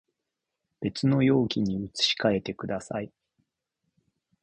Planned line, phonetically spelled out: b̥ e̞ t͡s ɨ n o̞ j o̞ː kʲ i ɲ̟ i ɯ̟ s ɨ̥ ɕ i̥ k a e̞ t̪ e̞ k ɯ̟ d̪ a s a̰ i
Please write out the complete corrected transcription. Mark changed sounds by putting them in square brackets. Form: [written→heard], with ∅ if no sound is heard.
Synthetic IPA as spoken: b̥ e̞ t͡s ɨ n o̞ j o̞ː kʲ i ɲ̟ i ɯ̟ [s→t͡s] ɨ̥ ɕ i̥ k a e̞ t̪ e̞ k ɯ̟ d̪ a s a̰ i